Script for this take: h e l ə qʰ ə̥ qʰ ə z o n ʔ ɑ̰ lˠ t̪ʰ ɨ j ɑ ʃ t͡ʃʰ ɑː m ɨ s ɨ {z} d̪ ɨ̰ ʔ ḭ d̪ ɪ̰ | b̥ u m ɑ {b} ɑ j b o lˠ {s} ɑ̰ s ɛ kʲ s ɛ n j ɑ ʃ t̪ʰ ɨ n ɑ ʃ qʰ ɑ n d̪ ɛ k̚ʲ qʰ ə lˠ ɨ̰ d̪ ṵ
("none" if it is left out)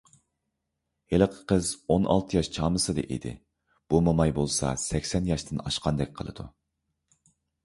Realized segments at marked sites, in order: none, m, s

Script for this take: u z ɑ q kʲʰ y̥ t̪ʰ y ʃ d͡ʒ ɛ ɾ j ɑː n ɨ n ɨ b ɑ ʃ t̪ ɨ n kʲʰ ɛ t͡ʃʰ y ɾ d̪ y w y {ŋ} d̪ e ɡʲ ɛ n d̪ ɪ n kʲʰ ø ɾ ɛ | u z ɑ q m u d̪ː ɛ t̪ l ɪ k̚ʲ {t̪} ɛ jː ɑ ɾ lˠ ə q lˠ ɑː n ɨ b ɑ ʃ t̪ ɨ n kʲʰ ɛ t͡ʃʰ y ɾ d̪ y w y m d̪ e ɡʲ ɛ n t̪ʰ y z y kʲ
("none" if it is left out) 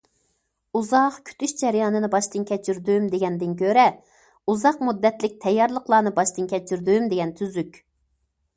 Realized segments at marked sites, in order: m, t̪ʰ

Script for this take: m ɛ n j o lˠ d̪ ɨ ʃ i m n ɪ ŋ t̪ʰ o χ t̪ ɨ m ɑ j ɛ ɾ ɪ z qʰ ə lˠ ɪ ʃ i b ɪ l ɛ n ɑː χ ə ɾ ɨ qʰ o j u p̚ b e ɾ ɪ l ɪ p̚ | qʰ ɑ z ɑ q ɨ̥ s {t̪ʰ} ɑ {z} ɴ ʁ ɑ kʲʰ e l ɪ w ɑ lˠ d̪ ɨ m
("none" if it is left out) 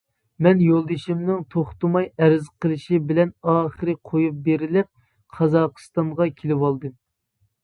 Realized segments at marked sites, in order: t̪, none

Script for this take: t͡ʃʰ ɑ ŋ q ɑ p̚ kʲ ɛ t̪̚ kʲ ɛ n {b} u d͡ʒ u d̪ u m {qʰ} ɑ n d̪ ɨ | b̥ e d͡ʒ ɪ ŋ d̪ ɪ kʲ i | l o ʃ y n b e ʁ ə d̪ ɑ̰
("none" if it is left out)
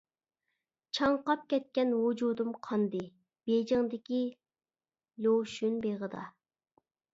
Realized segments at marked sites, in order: w, qʰ

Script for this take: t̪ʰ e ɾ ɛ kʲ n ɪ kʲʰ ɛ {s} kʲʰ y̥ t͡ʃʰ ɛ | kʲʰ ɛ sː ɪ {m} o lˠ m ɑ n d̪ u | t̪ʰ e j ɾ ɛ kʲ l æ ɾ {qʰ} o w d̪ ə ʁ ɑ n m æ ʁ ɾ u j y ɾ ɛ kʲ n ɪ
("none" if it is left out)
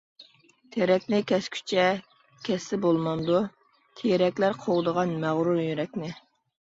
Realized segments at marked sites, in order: s, b, qʰ

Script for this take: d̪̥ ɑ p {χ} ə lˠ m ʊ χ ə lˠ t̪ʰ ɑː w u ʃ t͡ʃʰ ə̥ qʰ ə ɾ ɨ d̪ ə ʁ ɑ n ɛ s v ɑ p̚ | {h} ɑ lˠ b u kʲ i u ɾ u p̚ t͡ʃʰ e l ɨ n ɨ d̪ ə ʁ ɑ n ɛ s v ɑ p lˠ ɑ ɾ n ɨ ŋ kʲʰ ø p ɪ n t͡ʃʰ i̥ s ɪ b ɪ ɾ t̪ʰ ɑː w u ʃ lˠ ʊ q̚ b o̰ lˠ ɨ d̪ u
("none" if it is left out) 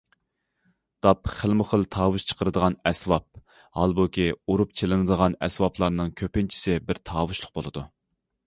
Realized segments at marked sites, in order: χ, h

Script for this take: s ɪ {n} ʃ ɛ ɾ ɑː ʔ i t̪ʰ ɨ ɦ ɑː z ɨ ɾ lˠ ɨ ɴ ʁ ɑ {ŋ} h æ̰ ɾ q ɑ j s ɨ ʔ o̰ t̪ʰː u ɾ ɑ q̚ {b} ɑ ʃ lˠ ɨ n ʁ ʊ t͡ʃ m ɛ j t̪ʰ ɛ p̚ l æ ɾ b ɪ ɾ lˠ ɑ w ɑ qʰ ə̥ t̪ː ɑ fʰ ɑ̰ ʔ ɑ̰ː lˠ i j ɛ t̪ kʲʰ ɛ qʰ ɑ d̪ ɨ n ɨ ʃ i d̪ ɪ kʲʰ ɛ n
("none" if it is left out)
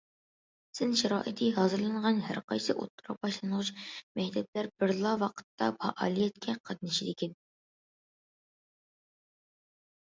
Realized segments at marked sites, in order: n, n, b

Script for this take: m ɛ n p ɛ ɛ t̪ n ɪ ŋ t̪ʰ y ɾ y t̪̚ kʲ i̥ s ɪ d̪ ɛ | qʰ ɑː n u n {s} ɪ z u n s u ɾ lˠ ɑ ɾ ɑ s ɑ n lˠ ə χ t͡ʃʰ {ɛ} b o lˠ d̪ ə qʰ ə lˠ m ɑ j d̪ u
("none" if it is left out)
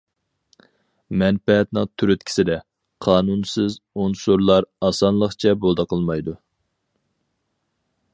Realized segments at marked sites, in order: s, ɛ

